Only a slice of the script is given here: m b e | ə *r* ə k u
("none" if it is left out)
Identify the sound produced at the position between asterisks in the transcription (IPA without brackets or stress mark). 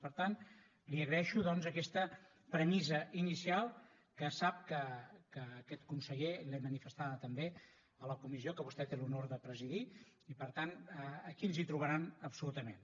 l